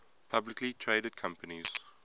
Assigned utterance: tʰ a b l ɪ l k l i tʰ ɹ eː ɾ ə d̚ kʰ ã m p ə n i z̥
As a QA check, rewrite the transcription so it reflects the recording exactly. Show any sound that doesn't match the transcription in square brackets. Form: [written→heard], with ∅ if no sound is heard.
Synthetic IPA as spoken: [tʰ→pʰ] a b l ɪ [l→∅] k l i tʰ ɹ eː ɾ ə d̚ kʰ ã m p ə n i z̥